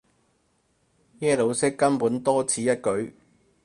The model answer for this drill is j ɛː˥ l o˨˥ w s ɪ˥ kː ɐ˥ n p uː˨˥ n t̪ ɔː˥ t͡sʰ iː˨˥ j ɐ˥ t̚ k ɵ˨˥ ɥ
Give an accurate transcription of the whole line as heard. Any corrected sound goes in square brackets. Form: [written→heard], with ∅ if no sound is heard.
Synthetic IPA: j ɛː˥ l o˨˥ w s ɪ˥ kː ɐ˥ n p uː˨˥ n t̪ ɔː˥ t͡sʰ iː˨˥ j ɐ˥ t̚ k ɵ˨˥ ɥ